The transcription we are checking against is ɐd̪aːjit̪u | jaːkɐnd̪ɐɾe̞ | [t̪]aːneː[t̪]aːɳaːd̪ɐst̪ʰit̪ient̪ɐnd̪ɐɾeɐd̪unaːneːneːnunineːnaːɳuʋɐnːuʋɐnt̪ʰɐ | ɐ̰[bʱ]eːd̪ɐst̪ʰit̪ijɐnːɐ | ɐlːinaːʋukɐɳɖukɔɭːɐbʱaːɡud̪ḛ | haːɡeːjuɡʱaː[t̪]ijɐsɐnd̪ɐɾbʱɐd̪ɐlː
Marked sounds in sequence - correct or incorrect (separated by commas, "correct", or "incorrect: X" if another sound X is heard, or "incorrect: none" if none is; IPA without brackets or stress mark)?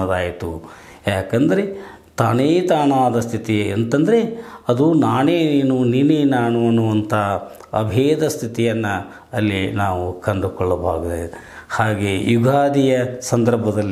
correct, correct, correct, incorrect: d̪